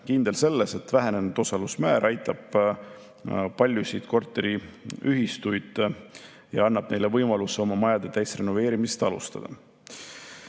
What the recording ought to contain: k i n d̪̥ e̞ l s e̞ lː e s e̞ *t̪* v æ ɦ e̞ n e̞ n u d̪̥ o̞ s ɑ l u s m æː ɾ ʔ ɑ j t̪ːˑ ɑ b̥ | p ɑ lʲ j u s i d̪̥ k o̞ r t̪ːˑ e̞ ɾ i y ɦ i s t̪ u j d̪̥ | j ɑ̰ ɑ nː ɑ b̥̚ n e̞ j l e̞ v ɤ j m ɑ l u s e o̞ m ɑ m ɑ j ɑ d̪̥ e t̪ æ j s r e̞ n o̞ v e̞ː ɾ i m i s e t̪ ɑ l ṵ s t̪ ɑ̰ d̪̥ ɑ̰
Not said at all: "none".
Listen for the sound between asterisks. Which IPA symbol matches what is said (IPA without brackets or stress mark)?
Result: t̪